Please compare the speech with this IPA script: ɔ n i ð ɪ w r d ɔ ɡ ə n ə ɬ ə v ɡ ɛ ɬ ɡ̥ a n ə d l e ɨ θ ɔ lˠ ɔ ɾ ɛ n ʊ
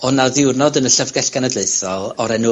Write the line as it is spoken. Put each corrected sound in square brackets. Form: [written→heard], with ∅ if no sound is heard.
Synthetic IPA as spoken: ɔ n [i→a] ð ɪ w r [d→n] ɔ [ɡ→d] ə n ə ɬ ə v ɡ ɛ ɬ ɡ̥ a n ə d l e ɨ θ ɔ lˠ ɔ ɾ ɛ n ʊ